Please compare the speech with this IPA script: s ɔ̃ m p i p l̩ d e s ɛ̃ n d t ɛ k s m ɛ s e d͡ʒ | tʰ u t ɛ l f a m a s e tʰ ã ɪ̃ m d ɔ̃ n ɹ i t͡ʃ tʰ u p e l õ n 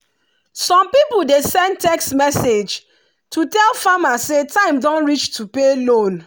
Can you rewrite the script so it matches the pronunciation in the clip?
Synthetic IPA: s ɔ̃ m p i p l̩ d e s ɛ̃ n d t ɛ k s m ɛ s e d͡ʒ | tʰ u t ɛ l f a m a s e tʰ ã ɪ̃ m d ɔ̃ n ɹ i t͡ʃ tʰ u p e l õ n